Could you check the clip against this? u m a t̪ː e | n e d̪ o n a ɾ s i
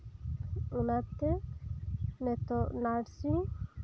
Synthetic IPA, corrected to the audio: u n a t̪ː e | n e t̪ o n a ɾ s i